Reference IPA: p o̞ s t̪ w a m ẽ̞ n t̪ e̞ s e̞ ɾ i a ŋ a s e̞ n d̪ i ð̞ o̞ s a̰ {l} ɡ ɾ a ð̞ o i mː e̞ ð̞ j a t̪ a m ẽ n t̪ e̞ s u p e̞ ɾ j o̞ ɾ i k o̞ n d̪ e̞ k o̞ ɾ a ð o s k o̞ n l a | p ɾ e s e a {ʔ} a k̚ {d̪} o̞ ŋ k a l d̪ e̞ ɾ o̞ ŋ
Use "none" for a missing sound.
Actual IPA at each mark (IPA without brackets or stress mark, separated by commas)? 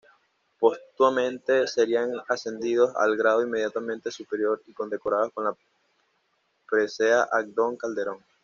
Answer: l, ʔ, d̪